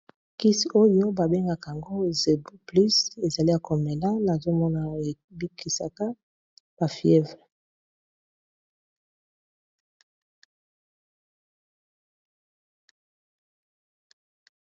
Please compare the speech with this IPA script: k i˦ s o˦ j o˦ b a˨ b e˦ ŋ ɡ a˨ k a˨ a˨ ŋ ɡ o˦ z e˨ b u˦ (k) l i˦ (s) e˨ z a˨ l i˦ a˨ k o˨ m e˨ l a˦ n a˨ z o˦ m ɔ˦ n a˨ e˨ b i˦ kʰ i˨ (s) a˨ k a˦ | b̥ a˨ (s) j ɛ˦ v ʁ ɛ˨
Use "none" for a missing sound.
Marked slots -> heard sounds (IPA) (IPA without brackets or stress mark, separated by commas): p, s, s, f